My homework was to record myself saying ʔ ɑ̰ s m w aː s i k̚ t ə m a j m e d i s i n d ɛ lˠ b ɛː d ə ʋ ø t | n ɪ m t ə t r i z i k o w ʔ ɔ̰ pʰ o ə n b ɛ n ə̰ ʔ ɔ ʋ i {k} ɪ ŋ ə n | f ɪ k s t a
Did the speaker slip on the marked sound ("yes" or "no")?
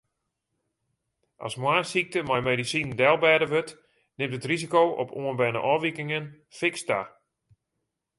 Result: no